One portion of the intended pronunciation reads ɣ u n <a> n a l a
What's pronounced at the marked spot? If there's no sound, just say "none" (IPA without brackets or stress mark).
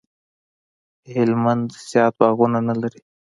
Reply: a